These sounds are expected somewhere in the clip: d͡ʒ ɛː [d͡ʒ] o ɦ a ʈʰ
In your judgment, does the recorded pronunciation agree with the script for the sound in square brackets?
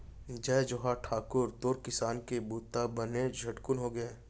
yes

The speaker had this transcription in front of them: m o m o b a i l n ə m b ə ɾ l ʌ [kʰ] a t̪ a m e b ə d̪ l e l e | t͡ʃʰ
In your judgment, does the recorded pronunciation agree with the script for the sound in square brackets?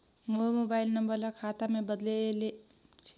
yes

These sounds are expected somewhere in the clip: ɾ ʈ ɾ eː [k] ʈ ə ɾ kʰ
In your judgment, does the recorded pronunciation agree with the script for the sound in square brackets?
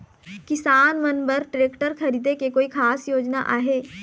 yes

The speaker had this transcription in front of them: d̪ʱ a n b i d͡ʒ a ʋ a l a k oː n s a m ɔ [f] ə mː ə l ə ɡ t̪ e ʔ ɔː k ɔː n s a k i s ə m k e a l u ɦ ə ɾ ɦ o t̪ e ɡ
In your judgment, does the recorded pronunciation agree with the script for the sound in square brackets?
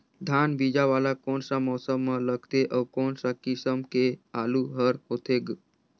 no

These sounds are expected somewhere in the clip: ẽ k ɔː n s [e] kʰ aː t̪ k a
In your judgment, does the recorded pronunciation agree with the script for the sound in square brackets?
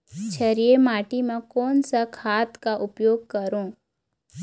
no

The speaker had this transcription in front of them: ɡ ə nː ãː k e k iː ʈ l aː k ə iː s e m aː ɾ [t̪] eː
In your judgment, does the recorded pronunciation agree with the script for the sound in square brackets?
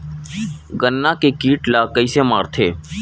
no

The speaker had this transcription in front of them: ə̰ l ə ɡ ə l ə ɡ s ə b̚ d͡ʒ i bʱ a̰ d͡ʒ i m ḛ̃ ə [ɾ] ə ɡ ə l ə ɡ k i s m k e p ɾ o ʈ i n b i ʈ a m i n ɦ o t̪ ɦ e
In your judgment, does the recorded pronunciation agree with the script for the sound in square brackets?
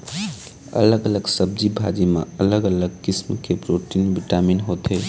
no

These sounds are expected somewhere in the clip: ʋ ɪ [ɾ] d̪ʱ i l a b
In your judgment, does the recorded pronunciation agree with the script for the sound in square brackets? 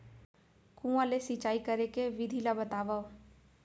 no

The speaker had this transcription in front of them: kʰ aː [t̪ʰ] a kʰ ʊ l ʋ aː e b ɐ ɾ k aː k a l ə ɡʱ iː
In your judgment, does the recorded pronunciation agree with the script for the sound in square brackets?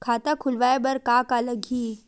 no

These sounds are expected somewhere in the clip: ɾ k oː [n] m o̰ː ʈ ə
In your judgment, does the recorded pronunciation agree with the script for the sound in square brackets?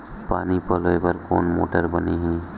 yes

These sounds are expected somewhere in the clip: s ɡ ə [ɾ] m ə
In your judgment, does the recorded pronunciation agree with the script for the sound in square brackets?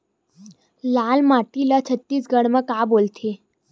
no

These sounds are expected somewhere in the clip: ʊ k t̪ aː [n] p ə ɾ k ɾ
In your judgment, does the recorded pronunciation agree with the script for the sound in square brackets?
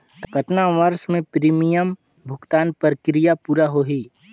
yes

